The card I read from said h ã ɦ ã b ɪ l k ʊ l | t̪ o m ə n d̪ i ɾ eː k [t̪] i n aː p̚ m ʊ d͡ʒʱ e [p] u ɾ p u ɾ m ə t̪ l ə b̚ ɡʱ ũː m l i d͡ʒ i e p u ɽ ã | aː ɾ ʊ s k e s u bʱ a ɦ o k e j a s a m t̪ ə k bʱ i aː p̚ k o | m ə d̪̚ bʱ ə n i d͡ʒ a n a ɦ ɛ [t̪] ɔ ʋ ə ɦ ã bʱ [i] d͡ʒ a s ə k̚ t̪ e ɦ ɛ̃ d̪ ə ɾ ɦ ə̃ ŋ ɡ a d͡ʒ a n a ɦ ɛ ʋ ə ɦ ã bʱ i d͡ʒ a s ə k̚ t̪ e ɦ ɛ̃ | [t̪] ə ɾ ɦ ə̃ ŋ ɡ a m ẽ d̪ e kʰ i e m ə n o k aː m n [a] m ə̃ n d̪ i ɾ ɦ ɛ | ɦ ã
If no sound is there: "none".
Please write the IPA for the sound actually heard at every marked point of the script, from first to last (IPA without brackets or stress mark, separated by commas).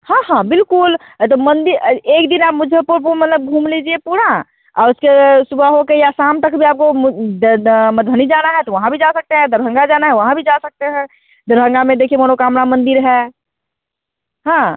d̪, p, t̪, i, d̪, a